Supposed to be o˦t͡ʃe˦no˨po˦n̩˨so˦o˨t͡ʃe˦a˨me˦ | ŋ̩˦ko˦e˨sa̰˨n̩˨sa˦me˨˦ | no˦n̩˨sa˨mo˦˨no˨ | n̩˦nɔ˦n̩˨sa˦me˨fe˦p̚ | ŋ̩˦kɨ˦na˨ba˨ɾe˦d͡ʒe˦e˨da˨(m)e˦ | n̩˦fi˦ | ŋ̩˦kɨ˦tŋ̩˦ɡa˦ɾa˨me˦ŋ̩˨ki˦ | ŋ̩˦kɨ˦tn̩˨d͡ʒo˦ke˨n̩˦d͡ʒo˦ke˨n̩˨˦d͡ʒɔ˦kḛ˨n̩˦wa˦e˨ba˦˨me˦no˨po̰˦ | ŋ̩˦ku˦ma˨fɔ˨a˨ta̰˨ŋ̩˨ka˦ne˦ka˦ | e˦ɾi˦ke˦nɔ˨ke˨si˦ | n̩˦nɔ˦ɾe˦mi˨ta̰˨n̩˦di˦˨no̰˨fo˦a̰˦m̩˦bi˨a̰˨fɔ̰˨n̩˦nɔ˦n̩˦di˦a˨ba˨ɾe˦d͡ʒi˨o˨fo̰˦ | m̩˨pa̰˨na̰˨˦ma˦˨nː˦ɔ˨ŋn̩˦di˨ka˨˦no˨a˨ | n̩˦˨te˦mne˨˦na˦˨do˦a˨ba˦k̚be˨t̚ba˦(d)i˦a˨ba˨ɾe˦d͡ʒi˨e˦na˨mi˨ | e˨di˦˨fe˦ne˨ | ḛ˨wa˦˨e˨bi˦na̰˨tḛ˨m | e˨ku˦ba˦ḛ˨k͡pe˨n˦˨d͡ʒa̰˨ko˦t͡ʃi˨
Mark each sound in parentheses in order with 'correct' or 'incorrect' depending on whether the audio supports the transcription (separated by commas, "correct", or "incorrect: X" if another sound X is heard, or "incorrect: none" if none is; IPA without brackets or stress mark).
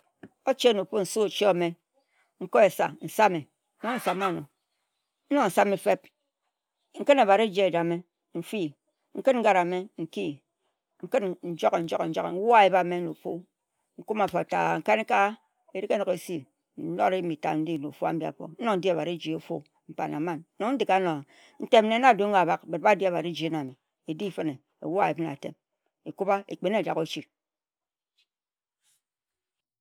correct, correct